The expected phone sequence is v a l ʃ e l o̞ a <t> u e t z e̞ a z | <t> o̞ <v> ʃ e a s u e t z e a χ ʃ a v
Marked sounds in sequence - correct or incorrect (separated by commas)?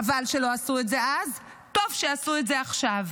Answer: incorrect, correct, correct